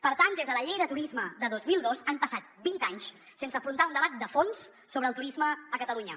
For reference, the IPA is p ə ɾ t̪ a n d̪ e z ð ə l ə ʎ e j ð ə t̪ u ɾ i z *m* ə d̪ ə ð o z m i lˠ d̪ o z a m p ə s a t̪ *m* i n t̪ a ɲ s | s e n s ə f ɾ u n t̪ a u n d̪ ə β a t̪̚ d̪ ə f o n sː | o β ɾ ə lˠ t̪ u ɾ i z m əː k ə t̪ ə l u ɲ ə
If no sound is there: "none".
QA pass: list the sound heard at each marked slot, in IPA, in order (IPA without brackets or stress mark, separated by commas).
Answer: m, b